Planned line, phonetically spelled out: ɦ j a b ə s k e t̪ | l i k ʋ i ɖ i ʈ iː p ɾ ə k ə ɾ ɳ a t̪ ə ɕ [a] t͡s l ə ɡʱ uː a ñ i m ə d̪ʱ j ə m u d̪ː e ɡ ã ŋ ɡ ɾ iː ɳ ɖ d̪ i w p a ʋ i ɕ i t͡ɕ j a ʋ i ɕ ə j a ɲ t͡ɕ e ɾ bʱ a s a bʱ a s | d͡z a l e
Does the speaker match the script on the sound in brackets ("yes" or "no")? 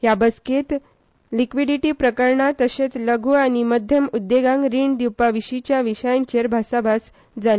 no